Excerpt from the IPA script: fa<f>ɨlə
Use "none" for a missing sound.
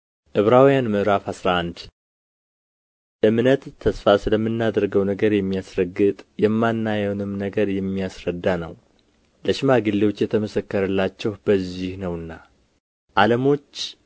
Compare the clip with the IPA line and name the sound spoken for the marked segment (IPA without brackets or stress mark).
s